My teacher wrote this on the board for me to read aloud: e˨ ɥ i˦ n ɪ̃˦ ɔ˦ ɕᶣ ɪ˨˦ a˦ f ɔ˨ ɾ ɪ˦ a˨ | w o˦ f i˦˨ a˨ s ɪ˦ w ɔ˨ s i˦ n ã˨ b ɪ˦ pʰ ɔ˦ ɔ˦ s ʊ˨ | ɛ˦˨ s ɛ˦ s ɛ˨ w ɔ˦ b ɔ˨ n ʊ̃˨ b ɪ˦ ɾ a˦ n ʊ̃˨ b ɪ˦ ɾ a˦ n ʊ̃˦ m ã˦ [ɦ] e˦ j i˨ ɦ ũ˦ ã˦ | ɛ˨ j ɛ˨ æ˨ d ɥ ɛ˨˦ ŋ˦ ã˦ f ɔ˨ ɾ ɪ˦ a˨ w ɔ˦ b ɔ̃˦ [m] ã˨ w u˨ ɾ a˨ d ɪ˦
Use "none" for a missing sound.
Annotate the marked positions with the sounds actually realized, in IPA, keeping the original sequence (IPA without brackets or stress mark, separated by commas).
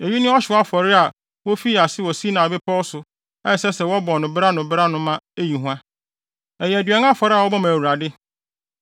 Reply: none, m